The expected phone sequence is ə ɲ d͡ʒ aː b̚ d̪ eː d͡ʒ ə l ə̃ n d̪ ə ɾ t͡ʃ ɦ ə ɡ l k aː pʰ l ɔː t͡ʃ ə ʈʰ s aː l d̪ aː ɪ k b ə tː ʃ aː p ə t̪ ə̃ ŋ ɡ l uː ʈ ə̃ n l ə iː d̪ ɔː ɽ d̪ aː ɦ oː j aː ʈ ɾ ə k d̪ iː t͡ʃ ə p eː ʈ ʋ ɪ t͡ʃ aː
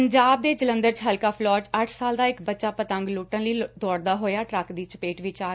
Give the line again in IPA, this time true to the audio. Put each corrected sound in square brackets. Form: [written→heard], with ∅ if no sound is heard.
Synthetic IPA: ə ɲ d͡ʒ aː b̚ d̪ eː d͡ʒ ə l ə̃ n d̪ ə ɾ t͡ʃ ɦ ə [ɡ→∅] l k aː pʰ l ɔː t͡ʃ ə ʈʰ s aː l d̪ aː ɪ k b ə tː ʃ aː p ə t̪ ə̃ ŋ ɡ l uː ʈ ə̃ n l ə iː d̪ ɔː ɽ d̪ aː ɦ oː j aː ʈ ɾ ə k d̪ iː t͡ʃ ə p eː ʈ ʋ ɪ t͡ʃ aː